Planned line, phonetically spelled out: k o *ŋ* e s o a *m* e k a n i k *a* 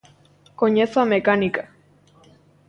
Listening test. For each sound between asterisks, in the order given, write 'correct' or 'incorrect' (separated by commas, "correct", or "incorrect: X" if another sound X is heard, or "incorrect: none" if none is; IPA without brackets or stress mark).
incorrect: ɲ, correct, correct